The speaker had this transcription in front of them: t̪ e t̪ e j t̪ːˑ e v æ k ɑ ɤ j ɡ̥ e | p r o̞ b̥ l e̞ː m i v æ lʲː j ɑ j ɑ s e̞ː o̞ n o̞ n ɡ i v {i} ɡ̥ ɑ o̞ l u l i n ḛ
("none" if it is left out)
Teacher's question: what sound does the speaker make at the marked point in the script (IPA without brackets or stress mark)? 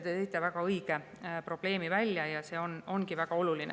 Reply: æ